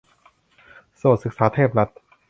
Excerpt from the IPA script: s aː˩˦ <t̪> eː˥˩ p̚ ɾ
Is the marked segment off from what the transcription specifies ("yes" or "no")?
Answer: yes